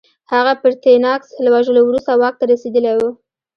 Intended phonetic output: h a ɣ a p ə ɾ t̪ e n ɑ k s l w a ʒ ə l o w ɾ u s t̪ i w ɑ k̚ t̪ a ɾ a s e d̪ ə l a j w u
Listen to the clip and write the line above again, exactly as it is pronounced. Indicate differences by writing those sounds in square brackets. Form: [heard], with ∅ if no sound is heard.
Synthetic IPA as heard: h a ɣ a p ə ɾ t̪ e n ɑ k s l w a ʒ ə l o w ɾ u s t̪ [a] w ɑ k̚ t̪ a ɾ a s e d̪ ə l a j w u